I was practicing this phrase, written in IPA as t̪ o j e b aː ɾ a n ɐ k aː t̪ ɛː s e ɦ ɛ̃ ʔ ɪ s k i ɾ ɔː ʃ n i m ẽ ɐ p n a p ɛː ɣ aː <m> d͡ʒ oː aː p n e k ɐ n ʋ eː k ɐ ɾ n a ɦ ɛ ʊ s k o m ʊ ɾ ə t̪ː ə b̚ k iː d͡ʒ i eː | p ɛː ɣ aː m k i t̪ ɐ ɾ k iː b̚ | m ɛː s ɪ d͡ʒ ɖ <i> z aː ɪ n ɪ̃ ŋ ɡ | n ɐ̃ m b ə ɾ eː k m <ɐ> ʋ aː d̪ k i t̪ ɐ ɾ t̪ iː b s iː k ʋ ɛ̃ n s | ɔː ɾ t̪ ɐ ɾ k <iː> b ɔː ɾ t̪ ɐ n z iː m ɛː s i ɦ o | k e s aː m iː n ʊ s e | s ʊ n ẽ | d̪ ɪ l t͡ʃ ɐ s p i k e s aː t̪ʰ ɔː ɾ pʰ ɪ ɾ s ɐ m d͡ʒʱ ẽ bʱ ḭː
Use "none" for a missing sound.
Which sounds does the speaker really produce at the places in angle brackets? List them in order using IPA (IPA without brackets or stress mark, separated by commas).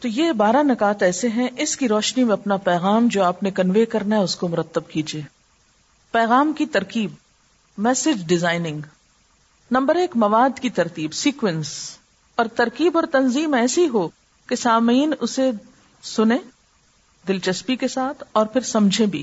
m, ɪ, ɐ, iː